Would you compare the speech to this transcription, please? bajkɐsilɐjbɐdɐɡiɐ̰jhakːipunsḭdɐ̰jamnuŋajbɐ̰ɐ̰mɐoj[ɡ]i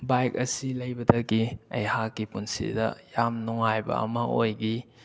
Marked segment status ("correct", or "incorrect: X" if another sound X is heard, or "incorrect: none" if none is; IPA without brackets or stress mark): correct